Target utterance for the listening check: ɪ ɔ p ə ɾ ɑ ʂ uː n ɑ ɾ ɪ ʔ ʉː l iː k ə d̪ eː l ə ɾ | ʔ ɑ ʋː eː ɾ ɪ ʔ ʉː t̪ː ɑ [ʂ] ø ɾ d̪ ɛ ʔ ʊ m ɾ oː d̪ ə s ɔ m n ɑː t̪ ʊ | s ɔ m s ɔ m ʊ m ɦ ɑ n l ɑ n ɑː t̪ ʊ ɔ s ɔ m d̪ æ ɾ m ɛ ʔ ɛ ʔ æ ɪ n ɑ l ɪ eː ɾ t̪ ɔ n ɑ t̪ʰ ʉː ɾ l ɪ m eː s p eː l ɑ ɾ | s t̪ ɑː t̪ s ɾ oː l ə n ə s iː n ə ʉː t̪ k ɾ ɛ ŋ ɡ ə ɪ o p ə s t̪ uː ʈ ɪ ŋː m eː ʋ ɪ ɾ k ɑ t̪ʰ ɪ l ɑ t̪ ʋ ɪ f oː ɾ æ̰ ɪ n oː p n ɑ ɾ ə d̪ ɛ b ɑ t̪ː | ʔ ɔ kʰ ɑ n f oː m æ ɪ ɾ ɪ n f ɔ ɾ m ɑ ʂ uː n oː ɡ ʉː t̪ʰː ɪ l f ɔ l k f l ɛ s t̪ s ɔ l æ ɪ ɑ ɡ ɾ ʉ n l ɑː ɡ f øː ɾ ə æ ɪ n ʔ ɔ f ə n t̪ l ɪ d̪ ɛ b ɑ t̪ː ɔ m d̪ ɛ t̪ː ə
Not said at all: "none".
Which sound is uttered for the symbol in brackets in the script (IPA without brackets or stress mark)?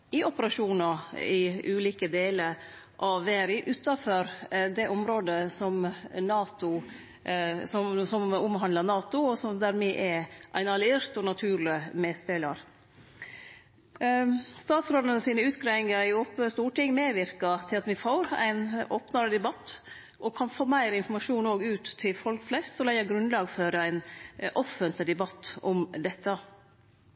f